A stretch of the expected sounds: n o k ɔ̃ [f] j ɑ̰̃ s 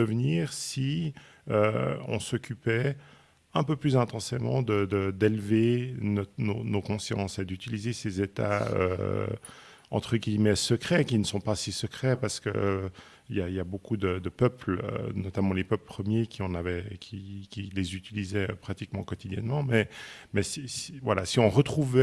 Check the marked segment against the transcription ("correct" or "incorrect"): incorrect